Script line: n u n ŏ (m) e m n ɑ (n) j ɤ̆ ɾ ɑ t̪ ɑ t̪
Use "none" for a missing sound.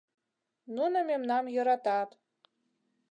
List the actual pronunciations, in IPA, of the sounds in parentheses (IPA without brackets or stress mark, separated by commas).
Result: m, m